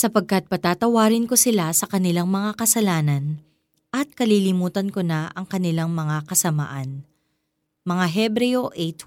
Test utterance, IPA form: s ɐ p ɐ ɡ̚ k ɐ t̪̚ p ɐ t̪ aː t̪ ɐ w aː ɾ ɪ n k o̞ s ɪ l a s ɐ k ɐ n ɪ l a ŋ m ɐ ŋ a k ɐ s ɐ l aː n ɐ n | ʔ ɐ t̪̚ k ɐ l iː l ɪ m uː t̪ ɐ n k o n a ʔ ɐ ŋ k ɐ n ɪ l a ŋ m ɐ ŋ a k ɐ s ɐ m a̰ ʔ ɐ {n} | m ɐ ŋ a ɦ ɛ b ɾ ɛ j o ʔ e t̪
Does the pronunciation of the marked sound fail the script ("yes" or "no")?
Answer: no